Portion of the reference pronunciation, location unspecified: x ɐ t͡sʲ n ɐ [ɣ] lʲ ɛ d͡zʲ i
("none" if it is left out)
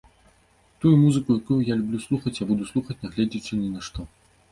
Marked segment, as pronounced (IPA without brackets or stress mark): ɣ